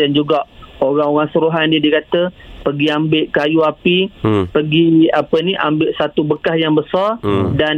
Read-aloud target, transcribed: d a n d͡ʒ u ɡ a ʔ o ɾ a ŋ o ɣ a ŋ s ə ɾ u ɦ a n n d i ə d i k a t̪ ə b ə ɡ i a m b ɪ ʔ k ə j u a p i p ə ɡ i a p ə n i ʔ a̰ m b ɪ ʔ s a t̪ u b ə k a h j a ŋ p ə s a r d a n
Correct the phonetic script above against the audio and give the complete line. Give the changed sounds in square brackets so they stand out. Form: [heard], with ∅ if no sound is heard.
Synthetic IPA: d a n d͡ʒ u ɡ a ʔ o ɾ a ŋ o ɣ a ŋ s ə ɾ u ɦ a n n d i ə d i k a t̪ ə [p] ə ɡ i a m b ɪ ʔ k [a] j u a p i p ə ɡ i a p ə n i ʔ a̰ m b ɪ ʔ s a t̪ u b ə k a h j a ŋ [b] ə s a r d a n